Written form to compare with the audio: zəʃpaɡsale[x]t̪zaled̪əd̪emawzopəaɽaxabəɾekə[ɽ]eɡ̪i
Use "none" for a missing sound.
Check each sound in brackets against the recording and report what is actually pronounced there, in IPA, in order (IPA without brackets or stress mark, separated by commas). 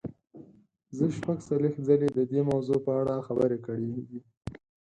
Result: x, ɽ